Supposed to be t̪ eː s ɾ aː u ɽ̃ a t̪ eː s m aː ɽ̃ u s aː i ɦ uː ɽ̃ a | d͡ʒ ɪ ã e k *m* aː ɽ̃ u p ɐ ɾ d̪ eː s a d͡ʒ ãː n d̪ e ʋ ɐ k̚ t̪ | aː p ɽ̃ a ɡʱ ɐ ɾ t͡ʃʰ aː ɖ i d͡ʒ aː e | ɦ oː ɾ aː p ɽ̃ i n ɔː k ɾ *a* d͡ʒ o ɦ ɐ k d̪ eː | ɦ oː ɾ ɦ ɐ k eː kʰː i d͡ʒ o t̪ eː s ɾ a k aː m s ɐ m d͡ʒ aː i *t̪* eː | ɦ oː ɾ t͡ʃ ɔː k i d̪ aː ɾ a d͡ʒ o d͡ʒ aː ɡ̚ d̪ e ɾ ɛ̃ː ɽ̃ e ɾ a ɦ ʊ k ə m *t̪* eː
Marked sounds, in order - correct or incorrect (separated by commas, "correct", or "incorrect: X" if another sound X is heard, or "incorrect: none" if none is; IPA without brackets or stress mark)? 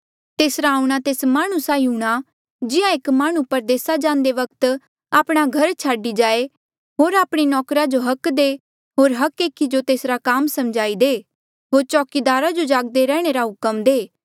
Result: correct, correct, incorrect: d̪, incorrect: d̪